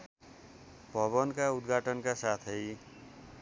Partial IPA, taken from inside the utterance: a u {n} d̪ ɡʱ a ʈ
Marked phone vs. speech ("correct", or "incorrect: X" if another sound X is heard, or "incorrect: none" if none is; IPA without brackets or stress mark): incorrect: none